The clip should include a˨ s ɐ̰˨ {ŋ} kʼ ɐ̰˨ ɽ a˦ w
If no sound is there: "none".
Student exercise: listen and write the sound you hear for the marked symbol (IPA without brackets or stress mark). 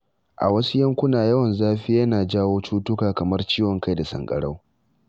ŋ